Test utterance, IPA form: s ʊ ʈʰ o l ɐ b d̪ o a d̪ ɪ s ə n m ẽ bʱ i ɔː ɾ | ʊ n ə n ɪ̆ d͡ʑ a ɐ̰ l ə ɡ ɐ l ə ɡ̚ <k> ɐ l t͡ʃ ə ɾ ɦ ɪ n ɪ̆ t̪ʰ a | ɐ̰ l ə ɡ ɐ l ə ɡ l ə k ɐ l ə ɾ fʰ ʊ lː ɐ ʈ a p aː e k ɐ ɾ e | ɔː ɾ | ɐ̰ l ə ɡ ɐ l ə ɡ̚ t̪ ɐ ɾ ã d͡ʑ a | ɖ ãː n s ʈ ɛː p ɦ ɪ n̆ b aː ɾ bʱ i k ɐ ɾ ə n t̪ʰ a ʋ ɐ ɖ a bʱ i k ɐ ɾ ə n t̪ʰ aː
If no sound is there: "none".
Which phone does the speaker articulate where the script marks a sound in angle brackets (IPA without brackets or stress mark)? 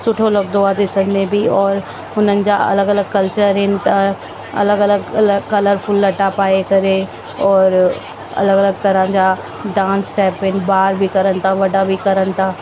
k